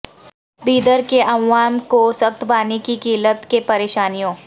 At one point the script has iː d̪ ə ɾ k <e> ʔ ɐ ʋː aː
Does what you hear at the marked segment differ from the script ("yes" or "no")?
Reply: no